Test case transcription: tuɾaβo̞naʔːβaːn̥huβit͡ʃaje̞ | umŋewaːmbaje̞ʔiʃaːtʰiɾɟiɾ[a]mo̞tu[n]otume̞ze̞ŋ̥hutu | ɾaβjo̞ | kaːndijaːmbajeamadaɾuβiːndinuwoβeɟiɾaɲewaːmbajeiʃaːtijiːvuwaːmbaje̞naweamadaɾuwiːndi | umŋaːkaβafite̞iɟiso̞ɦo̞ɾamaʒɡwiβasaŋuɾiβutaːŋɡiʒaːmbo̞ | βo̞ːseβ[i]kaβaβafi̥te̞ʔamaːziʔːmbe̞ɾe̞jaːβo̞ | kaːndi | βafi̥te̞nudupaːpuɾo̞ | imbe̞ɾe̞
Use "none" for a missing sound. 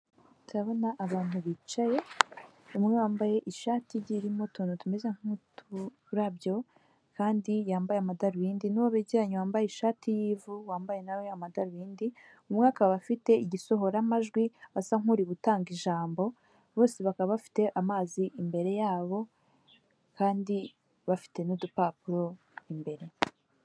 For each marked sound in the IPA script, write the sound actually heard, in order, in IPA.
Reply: i, n, a

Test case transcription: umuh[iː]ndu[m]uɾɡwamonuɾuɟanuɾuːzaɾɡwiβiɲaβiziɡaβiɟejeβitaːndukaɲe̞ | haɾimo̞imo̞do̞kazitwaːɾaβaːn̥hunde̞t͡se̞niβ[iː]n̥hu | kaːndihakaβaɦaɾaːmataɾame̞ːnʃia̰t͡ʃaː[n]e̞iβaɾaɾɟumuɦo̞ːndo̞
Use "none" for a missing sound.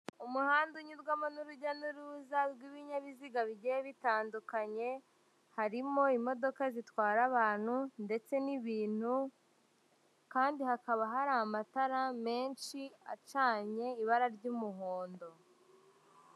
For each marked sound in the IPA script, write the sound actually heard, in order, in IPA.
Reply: aː, ɲ, iː, ɲ

